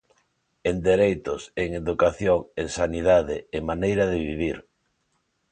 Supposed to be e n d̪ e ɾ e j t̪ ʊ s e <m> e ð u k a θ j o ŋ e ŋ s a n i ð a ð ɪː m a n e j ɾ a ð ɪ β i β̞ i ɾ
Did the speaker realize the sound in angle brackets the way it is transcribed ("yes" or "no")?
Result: no